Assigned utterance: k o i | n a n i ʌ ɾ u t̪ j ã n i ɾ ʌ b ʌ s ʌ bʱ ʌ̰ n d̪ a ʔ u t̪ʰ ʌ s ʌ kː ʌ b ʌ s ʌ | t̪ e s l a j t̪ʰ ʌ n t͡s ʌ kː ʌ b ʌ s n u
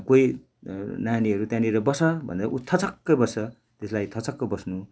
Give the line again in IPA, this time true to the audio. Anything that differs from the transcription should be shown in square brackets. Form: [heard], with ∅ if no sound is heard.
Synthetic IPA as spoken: k o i | n a n i ʌ ɾ u t̪ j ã n i ɾ ʌ b ʌ s ʌ bʱ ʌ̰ n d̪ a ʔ u t̪ʰ ʌ [t͡s] ʌ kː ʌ b ʌ s ʌ | t̪ e s l a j t̪ʰ ʌ [∅] t͡s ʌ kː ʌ b ʌ s n u